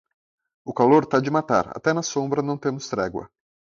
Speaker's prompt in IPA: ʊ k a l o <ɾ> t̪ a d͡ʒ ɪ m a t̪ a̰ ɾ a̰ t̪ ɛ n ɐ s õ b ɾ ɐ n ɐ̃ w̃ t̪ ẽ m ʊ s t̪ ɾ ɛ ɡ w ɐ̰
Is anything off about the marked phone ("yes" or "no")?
no